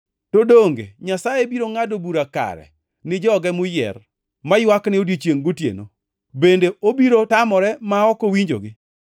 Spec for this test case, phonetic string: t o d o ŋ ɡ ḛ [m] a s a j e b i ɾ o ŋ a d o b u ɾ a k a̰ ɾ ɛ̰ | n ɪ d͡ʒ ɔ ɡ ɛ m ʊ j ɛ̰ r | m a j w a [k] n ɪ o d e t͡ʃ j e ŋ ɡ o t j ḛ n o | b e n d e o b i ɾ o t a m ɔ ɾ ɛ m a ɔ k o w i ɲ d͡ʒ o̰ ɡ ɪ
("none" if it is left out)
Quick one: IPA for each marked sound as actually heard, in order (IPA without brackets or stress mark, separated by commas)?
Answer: ɲ, k